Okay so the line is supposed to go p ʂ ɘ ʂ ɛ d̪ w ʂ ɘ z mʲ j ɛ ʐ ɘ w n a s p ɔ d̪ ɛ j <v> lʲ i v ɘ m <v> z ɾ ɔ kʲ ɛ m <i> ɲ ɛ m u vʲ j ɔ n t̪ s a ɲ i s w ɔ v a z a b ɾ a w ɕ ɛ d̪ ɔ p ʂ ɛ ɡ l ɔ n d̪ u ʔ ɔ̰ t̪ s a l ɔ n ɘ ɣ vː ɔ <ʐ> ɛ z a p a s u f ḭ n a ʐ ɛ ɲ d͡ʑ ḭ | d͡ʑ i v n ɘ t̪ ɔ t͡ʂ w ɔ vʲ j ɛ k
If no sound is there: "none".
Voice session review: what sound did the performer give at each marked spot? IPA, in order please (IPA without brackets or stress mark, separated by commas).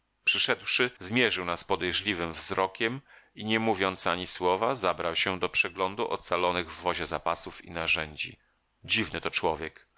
ʐ, v, i, ʑ